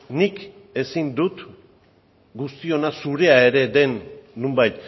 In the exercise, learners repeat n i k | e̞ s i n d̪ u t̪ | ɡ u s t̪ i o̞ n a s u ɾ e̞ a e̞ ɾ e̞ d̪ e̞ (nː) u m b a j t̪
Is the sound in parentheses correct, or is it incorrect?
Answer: correct